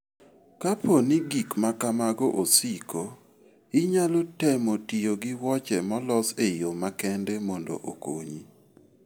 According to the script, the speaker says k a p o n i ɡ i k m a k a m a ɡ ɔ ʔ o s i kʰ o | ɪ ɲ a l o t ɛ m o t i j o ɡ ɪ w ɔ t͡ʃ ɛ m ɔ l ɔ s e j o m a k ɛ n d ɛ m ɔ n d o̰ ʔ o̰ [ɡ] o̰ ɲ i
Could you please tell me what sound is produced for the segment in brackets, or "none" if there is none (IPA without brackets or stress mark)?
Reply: k